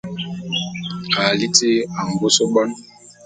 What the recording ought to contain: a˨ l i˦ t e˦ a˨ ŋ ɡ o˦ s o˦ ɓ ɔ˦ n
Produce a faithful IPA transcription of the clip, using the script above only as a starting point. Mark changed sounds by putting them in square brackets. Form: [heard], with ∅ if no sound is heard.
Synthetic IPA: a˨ l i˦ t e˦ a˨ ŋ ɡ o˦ s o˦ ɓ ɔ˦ n